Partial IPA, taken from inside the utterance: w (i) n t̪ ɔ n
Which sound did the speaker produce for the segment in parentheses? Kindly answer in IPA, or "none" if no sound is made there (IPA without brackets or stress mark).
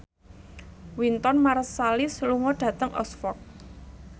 i